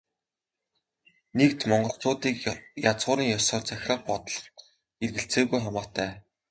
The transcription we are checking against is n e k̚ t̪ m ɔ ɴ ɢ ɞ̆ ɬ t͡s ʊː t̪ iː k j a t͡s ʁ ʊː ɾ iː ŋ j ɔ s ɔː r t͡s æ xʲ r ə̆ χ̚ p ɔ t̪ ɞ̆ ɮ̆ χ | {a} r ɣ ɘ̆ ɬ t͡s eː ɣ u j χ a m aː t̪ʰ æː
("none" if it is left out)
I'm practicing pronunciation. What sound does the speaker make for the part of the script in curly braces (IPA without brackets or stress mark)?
e